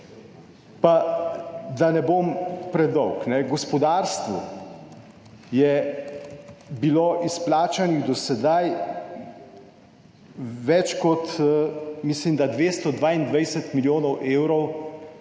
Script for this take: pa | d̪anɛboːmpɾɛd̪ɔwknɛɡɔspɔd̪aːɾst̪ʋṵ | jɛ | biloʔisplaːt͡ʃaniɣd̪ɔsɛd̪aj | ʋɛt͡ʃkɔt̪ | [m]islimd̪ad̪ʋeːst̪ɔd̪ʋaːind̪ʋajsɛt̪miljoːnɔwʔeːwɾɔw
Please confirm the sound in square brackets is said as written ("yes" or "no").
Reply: yes